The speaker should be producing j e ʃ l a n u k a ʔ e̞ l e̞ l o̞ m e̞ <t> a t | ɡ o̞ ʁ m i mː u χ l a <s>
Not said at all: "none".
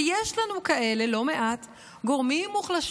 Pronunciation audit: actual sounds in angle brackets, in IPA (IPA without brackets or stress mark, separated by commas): ʔ, ʃ